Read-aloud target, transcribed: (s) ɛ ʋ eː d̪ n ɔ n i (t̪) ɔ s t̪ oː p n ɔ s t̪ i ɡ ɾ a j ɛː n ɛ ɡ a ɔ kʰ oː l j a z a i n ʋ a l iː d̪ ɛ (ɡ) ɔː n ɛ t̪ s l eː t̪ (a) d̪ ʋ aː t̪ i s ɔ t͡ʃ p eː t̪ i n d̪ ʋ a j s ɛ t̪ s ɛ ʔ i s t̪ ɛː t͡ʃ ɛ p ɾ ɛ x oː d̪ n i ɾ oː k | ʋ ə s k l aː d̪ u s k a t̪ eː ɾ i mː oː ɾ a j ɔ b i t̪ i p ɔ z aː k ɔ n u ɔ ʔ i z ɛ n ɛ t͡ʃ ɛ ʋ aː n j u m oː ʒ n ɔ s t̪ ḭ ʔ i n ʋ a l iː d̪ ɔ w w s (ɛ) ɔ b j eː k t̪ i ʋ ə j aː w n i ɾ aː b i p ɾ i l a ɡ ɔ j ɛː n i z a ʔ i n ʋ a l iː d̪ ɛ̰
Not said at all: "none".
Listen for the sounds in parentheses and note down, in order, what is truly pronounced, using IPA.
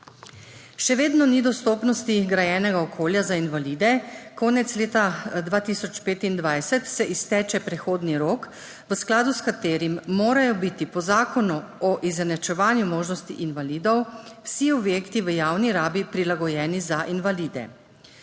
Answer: ʃ, d̪, k, a, i

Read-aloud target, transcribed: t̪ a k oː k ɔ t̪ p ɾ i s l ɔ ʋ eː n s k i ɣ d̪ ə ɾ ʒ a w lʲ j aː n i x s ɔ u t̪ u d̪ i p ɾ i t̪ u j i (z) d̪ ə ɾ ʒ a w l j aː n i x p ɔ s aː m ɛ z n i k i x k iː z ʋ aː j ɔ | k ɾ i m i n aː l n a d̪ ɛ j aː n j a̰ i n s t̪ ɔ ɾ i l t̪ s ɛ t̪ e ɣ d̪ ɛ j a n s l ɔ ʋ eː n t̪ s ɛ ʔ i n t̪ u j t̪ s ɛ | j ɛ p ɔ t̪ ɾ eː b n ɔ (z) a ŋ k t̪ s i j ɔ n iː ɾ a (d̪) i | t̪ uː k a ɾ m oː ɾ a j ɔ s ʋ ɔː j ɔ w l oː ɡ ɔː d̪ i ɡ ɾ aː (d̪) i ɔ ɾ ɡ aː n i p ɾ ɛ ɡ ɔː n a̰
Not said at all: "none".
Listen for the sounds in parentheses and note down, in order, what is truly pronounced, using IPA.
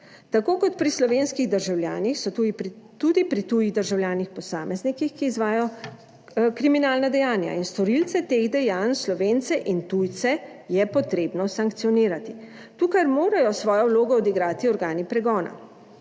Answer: ɣ, s, t̪, t̪

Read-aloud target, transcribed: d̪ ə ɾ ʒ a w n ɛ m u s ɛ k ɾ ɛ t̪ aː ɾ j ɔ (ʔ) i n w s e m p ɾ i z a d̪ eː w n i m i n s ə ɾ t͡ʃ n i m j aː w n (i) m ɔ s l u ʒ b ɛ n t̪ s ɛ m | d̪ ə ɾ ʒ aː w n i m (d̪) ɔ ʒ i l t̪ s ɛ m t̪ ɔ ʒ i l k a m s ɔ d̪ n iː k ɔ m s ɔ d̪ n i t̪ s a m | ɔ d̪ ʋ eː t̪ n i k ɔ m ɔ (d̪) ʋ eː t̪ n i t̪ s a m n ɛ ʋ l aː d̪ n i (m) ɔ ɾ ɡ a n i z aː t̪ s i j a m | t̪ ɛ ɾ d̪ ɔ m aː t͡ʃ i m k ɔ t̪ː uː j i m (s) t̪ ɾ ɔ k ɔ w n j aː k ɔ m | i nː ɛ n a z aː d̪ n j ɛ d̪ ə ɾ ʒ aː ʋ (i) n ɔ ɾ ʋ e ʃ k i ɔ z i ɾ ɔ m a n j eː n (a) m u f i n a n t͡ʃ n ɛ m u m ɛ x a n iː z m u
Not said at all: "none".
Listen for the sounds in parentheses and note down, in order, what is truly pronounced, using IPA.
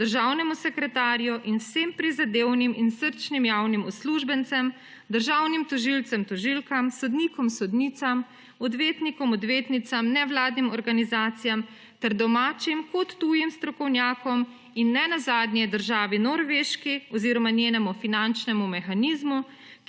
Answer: ʔ, i, t̪, d̪, m, s, i, ɛ

